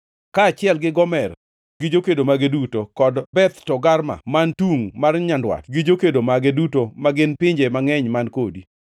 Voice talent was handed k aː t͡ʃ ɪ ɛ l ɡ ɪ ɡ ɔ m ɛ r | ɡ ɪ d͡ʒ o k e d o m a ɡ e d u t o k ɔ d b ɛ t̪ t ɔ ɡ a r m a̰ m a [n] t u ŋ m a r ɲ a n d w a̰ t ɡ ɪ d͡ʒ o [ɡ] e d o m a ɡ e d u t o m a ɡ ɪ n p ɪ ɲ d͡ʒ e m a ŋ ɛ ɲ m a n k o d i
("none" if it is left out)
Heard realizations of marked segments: n, k

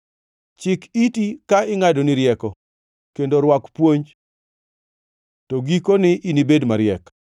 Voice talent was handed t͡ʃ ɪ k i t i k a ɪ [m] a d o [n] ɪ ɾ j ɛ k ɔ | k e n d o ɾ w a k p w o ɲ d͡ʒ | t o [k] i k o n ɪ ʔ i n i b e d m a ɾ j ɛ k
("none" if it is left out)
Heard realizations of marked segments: ŋ, n, ɡ

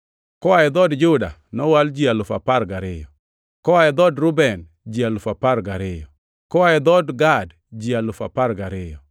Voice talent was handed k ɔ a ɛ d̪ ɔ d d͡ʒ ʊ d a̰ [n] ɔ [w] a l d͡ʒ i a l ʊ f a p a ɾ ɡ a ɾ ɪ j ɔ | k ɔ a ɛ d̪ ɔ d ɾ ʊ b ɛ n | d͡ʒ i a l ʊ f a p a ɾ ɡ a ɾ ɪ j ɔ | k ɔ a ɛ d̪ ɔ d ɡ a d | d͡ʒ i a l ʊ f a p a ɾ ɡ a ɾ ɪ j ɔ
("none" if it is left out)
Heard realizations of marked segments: n, w

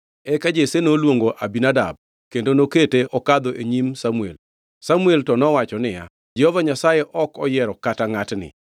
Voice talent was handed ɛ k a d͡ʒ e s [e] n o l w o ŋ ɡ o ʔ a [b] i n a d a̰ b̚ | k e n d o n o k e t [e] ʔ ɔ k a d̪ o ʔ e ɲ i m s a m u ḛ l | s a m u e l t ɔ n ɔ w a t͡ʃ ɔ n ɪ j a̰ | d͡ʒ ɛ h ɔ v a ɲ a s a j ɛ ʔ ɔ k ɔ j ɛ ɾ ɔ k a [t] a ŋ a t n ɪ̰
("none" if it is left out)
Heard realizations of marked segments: e, b, e, t

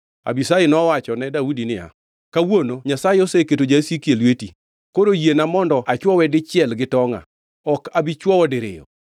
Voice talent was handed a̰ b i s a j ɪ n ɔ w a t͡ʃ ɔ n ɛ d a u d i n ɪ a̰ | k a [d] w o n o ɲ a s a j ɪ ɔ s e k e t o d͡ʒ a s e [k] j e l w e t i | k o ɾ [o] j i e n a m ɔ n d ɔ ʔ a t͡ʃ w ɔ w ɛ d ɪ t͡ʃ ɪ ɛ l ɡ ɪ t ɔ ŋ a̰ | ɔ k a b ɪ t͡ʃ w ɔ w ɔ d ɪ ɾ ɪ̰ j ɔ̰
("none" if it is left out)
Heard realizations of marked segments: none, k, o

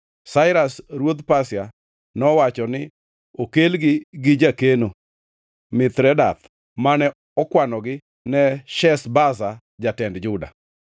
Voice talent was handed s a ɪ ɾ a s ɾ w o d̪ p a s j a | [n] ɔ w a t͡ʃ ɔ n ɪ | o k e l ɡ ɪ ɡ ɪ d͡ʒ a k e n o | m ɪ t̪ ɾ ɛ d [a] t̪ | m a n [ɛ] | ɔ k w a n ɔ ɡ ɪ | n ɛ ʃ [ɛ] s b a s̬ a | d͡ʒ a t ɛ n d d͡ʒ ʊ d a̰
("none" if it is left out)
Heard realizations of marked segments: n, a, ɛ, ɛ

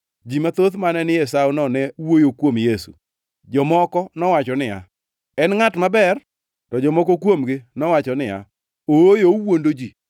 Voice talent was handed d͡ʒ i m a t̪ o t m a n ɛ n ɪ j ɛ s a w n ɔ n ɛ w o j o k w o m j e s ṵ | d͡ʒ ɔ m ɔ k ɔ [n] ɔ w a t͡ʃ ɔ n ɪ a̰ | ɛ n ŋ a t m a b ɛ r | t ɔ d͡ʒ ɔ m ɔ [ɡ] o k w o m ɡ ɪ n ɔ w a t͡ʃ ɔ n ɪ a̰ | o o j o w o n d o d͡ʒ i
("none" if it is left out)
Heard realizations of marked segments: n, k

